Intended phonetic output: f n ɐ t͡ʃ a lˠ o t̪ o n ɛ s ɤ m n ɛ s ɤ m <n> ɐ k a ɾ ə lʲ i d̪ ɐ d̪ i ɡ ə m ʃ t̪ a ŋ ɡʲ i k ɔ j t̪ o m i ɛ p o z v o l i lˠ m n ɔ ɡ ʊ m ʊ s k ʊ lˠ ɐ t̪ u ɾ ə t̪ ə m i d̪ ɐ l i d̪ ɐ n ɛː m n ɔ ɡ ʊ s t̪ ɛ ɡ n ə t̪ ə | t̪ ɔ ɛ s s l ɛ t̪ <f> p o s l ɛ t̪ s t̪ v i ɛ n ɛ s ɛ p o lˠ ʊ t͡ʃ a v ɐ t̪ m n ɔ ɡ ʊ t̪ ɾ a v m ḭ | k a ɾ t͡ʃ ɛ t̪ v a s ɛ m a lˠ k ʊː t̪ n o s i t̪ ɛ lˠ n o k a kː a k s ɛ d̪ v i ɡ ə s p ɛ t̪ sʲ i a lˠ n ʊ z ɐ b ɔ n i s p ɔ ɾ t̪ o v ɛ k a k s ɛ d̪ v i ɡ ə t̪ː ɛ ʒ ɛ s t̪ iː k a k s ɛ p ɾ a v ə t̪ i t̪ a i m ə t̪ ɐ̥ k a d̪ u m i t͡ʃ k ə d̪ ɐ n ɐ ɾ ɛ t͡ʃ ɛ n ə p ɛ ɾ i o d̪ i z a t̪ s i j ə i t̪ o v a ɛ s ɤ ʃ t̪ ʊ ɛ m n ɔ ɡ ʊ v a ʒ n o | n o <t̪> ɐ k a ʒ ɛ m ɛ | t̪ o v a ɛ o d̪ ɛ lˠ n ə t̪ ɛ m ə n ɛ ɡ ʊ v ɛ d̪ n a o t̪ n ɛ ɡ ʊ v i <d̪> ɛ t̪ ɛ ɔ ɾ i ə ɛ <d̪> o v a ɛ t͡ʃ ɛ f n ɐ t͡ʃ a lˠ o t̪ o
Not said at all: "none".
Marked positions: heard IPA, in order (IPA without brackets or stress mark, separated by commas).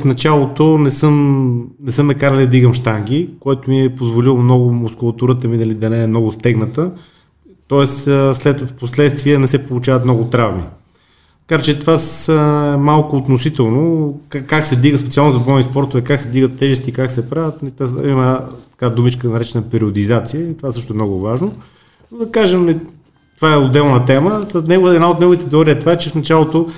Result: n, f, d̪, t̪, t̪